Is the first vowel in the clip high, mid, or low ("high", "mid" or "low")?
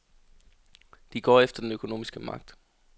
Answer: high